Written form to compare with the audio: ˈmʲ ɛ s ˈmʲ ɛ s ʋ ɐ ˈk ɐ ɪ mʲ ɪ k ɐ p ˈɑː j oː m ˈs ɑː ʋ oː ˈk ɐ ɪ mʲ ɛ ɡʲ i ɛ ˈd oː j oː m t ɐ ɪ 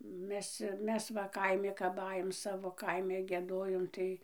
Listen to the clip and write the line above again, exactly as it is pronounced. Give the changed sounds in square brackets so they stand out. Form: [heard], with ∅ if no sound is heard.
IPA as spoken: ˈmʲ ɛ s ˈmʲ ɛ s ʋ ɐ ˈk ɐ ɪ mʲ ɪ k ɐ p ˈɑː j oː m ˈs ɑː ʋ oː ˈk ɐ ɪ mʲ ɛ ɡʲ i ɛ ˈd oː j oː m t ɐ ɪ